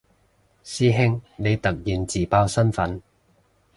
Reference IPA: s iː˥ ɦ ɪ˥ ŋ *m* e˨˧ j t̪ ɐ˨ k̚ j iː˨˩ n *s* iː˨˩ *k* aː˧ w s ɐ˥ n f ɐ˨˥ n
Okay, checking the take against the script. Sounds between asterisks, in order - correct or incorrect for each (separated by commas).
incorrect, incorrect, incorrect